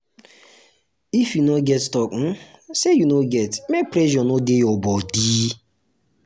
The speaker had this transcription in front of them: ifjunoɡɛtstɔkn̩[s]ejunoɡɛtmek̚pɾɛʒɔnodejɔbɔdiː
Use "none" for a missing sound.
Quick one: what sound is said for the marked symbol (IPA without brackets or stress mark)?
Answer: s